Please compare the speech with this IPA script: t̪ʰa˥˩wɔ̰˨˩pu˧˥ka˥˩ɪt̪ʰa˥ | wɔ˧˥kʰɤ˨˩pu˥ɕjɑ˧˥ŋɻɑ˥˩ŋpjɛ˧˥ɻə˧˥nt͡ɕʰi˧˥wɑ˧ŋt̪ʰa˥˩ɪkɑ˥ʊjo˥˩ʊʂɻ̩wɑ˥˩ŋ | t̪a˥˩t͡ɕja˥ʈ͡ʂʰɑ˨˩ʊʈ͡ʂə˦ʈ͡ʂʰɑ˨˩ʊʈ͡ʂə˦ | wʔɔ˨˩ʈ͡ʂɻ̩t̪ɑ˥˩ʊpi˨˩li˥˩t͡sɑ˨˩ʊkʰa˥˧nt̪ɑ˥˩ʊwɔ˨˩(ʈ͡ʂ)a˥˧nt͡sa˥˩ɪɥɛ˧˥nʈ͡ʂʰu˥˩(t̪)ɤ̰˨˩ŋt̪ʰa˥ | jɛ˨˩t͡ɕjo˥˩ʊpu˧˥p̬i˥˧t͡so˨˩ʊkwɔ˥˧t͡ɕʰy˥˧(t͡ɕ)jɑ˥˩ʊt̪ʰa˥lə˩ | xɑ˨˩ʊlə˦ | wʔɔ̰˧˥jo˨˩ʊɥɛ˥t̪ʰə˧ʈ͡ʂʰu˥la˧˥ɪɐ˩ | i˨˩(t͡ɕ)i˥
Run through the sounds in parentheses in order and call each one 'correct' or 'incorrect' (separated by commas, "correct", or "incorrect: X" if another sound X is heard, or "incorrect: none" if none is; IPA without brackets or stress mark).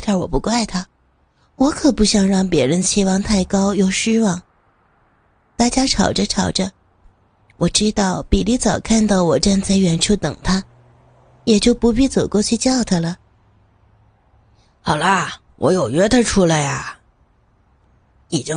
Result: correct, correct, correct, correct